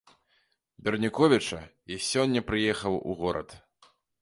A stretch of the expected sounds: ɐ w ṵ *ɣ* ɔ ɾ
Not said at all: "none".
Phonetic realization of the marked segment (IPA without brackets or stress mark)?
ɣ